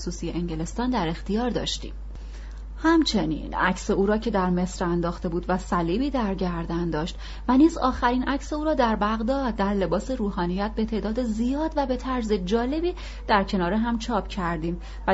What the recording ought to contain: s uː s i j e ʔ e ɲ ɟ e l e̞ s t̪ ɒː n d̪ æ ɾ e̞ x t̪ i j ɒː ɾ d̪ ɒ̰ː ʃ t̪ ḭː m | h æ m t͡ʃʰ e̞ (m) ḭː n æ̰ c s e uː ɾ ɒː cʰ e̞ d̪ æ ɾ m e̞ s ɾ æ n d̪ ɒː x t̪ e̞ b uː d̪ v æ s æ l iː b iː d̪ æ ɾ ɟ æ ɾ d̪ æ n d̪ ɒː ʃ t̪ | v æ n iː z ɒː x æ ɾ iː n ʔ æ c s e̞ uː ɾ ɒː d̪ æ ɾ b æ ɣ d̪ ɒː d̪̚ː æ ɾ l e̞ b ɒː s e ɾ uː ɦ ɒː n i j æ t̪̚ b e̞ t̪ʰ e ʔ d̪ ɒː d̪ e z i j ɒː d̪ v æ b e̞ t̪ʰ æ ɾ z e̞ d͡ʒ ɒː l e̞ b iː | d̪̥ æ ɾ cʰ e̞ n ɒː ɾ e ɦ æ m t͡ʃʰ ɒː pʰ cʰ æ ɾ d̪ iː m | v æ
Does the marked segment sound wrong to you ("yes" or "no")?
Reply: yes